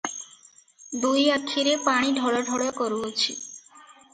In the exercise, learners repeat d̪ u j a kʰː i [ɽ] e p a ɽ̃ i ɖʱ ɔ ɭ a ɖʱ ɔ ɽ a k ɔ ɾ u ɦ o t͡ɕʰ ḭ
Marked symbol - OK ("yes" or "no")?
no